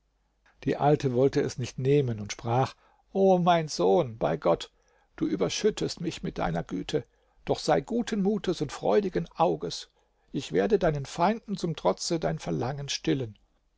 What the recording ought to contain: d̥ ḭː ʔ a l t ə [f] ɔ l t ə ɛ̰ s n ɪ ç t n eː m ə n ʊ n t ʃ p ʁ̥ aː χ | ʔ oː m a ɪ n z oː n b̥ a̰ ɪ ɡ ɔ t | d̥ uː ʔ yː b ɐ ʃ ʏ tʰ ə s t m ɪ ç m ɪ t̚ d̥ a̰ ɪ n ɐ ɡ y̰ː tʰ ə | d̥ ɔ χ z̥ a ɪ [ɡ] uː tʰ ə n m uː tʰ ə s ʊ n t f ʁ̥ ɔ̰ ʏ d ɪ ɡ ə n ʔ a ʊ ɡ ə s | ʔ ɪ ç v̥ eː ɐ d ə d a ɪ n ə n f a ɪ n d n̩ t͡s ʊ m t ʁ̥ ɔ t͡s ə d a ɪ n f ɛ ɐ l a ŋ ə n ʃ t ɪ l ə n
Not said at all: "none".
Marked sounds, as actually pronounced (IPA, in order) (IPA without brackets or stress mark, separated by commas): v, ɡ